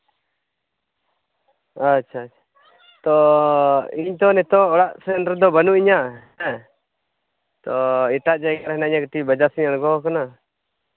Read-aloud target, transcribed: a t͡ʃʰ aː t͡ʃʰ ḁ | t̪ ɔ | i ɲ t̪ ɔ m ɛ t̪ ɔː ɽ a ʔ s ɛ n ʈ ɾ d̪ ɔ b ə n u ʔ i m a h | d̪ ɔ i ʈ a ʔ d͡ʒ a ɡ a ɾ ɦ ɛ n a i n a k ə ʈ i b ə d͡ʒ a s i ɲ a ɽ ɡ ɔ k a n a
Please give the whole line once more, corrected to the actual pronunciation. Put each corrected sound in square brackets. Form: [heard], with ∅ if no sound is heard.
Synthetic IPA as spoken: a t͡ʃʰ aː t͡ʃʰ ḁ | t̪ ɔ | i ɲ t̪ ɔ [n] ɛ t̪ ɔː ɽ a ʔ s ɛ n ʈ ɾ d̪ ɔ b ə n u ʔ i [ɲ] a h | [t̪] ɔ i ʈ a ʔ d͡ʒ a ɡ a ɾ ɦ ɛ n a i [ɲ] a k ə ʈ i b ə d͡ʒ a s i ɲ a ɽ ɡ ɔ k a n a